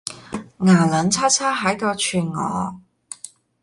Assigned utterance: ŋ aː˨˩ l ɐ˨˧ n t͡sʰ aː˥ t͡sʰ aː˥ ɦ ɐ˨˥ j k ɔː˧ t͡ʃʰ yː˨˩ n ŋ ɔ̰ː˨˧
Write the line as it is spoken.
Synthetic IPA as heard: ŋ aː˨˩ l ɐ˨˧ n t͡sʰ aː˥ t͡sʰ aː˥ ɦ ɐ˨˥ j k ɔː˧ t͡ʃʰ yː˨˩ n ŋ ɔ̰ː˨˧